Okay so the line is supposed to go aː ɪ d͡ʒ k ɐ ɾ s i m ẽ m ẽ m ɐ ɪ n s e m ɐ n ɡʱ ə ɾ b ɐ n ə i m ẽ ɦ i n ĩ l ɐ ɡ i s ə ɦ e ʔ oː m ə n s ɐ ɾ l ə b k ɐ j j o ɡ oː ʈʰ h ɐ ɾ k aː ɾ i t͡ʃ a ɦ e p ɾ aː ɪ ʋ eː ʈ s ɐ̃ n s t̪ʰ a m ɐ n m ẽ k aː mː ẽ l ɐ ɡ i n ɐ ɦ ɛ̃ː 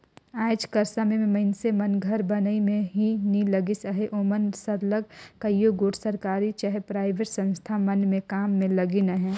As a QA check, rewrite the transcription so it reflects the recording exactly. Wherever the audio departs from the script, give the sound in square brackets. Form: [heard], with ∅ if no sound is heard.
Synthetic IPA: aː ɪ d͡ʒ k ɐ ɾ s [a] m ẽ m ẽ m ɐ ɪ n s e m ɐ n ɡʱ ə ɾ b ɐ n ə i m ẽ ɦ i n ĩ l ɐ ɡ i s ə ɦ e ʔ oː m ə n s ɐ ɾ l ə [ɡ] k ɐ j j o ɡ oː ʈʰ [s] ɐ ɾ k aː ɾ i t͡ʃ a ɦ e p ɾ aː ɪ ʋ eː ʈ s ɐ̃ n s t̪ʰ a m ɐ n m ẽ k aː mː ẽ l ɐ ɡ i n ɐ ɦ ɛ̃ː

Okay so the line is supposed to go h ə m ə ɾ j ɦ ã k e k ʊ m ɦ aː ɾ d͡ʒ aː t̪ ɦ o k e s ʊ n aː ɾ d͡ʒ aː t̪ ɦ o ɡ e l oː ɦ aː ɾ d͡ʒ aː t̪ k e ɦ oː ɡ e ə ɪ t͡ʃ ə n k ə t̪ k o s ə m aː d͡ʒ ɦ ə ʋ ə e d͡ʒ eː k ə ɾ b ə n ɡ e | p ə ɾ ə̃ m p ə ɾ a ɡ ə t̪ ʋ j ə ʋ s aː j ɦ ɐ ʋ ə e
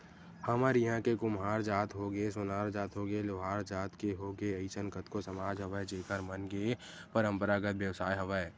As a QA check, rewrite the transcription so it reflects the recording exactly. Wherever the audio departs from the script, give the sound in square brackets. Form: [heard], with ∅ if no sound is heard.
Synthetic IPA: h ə m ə ɾ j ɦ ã k e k ʊ m ɦ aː ɾ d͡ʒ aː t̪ ɦ o [ɡ] e s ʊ n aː ɾ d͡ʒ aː t̪ ɦ o ɡ e l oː ɦ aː ɾ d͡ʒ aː t̪ k e ɦ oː ɡ e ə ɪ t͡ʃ ə n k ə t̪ k o s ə m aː d͡ʒ ɦ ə ʋ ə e d͡ʒ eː k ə ɾ [m] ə n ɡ e | p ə ɾ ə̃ m p ə ɾ a ɡ ə t̪ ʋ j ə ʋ s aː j ɦ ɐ ʋ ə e

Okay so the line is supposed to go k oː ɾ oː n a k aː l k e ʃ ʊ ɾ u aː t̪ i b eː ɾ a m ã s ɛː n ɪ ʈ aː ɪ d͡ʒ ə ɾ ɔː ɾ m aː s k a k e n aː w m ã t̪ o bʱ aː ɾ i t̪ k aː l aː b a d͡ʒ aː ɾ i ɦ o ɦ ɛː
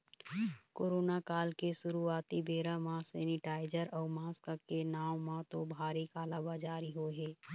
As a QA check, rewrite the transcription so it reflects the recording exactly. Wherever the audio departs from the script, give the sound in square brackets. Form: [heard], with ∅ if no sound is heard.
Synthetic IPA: k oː ɾ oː n a k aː l k e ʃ ʊ ɾ u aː t̪ i b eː ɾ a m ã s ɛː n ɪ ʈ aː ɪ d͡ʒ ə ɾ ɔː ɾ m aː s k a k e n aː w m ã t̪ o bʱ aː ɾ i [∅] k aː l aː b a d͡ʒ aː ɾ i ɦ o ɦ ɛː

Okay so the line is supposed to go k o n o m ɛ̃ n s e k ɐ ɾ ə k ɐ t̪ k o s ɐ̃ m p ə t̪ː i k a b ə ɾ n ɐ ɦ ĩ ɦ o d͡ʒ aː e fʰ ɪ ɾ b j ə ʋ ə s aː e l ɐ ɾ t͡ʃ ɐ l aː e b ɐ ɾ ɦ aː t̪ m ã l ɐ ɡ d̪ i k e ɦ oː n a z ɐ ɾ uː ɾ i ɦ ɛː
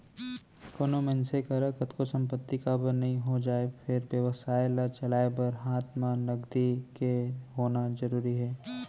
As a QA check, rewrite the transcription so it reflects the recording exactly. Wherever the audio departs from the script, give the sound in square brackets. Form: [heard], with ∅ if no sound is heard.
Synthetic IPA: k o n o m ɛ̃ n s e k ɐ ɾ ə k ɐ t̪ k o s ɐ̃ m p ə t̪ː i k a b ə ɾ n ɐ ɦ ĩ ɦ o d͡ʒ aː e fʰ ɪ ɾ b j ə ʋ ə s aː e l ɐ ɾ t͡ʃ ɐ l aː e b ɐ ɾ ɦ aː t̪ m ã l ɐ ɡ d̪ i k e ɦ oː n a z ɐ ɾ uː ɾ i ɦ ɛː

